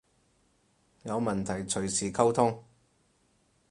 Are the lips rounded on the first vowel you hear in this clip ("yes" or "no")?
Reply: no